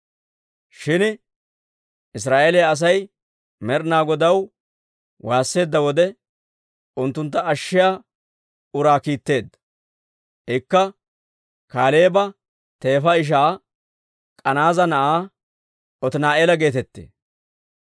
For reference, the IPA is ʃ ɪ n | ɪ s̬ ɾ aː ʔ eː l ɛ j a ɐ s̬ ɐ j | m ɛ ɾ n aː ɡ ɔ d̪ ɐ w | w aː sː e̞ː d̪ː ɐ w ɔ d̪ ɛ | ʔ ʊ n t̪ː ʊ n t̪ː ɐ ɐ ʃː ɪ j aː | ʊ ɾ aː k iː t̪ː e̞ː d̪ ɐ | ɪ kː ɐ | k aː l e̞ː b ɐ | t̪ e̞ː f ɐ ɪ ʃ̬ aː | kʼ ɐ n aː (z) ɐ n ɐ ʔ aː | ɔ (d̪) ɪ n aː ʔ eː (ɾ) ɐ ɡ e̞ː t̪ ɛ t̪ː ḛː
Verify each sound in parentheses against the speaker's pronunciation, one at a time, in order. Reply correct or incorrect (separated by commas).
correct, incorrect, incorrect